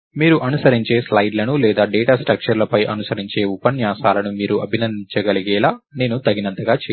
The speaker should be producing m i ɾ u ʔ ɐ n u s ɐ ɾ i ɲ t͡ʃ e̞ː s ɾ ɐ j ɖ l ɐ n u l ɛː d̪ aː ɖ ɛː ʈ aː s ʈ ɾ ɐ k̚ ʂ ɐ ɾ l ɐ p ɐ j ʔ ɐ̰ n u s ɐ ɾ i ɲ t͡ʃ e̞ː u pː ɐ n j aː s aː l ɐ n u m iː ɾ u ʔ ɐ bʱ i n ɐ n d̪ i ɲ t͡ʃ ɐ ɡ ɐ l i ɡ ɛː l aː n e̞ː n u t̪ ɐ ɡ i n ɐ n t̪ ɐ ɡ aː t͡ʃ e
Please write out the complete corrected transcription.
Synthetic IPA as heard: m iː ɾ u ʔ ɐ n u s ɐ ɾ i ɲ t͡ʃ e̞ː s l ɐ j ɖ l ɐ n u l ɛː d̪ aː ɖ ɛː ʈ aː s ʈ ɾ ɐ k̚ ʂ ɐ ɾ l ɐ p ɐ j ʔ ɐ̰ n u s ɐ ɾ i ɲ t͡ʃ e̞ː u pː ɐ n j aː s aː l ɐ n u m iː ɾ u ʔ ɐ bʱ i n ɐ n d̪ i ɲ t͡ʃ ɐ ɡ ɐ l i ɡ ɛː l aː n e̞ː n u t̪ ɐ ɡ i n ɐ n t̪ ɐ ɡ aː t͡ʃ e

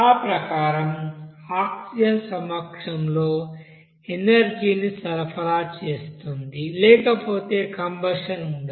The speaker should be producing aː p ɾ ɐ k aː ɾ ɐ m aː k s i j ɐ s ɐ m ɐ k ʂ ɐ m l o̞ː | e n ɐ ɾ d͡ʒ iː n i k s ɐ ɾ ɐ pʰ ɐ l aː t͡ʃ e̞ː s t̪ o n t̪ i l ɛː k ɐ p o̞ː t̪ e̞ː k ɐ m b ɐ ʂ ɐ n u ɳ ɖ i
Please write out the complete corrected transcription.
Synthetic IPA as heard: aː p ɾ ɐ k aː ɾ ɐ m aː k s i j ɐ s ɐ m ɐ k ʂ ɐ m l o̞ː | e n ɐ ɾ d͡ʒ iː n i s ɐ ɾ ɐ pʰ ɐ l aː t͡ʃ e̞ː s t̪ u n d̪ i l ɛː k ɐ p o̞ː t̪ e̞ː k ɐ m b ɐ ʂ ɐ n u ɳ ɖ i

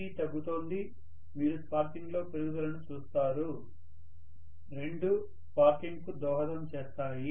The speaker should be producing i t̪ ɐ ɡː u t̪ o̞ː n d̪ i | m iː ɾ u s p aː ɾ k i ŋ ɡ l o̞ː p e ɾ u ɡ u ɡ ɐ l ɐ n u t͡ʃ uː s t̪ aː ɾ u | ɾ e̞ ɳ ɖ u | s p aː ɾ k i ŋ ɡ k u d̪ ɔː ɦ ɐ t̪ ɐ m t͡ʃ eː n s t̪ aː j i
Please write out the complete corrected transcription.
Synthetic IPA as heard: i t̪ ɐ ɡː u t̪ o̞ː n d̪ i | m iː ɾ u s p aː ɾ k i ŋ ɡ l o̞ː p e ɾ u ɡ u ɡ ɐ l ɐ n u t͡ʃ uː s t̪ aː ɾ u | ɾ e̞ ɳ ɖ u | s p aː ɾ k i ŋ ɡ k u d̪ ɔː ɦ ɐ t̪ ɐ m t͡ʃ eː s t̪ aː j i

